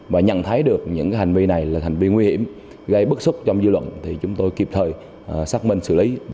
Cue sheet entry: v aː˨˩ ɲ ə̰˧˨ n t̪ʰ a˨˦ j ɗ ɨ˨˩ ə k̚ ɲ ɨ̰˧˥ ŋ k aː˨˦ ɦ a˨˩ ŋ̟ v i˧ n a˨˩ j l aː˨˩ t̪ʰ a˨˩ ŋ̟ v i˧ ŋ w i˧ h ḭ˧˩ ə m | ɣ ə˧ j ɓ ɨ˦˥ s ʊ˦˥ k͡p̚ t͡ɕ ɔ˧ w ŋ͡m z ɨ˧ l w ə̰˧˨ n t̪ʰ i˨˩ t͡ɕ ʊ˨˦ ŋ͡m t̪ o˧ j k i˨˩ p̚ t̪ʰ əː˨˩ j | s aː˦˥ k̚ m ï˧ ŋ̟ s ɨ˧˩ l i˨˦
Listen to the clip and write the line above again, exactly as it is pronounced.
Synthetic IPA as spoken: v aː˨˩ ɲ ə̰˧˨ n t̪ʰ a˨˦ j ɗ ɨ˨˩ ə k̚ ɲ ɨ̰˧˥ ŋ k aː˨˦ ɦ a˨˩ ŋ̟ v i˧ n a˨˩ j l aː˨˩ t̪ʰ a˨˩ ŋ̟ v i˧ ŋ w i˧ h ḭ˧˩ ə m | ɣ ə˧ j ɓ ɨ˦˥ s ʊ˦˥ k͡p̚ t͡ɕ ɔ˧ w ŋ͡m z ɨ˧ l w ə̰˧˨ n t̪ʰ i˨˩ t͡ɕ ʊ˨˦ ŋ͡m t̪ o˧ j k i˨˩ p̚ t̪ʰ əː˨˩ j | s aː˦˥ k̚ m ï˧ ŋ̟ s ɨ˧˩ l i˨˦